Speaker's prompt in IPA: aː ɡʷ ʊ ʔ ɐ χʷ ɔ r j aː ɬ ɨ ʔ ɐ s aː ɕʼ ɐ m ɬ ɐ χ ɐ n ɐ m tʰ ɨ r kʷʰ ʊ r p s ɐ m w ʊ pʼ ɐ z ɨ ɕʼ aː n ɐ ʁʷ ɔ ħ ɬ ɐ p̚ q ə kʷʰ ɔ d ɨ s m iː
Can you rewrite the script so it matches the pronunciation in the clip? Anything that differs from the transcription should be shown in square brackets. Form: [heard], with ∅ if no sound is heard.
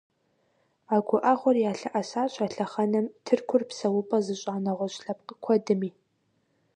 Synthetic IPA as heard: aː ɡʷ ʊ ʔ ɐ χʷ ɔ r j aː ɬ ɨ ʔ ɐ s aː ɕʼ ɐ [∅] ɬ ɐ χ ɐ n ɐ m tʰ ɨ r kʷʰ ʊ r p s ɐ [∅] w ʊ pʼ ɐ z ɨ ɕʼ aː n ɐ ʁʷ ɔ [ɕ] ɬ ɐ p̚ q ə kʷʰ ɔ d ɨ [∅] m iː